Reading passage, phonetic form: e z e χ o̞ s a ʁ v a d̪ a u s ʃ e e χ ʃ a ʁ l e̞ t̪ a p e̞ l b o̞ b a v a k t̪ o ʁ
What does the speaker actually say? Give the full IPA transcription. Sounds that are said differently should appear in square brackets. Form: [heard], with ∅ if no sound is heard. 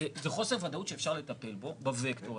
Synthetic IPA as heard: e z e χ o̞ s [e] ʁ v a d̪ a u [t] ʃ e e [f] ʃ a ʁ l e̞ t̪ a p e̞ l b o̞ b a v [e] k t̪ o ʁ